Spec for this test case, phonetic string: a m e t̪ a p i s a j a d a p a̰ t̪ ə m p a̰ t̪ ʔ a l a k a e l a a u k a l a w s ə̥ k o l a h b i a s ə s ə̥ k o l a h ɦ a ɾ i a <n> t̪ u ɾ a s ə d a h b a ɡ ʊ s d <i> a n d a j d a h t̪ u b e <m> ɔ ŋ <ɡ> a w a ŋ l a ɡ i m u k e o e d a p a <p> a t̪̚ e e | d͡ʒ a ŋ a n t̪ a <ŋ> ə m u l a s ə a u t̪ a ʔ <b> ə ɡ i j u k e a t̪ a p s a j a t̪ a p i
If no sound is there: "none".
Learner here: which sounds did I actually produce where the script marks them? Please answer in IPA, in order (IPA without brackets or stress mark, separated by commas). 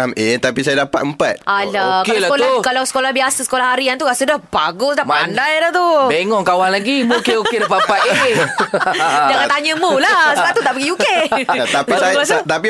n, a, ŋ, k, p, ɲ, p